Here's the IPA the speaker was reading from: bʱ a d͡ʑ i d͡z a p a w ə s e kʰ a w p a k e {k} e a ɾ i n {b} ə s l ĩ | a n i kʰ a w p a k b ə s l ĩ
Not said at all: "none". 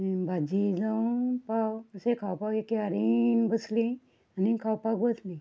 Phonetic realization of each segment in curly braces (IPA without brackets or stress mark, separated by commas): k, b